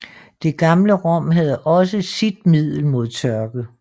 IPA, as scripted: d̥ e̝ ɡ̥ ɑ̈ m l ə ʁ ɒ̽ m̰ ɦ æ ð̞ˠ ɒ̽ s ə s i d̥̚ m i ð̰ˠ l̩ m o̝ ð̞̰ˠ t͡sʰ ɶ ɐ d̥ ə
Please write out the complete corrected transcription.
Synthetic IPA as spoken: d̥ e̝ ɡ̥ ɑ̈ m l ə ʁ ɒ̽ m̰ ɦ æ ð̞ˠ ɒ̽ s ə s i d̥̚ m i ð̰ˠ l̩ m o̝ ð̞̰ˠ t͡sʰ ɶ ɐ ɡ̥ ə